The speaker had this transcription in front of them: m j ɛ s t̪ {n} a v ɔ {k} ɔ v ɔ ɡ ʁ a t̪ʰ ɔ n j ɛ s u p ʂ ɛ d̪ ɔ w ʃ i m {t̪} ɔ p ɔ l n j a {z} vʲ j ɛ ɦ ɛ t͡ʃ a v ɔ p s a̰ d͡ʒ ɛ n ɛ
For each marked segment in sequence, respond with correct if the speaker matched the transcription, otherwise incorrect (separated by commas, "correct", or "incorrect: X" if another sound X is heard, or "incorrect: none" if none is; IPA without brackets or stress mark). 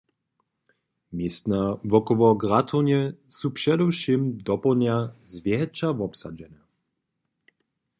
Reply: correct, correct, incorrect: d̪, correct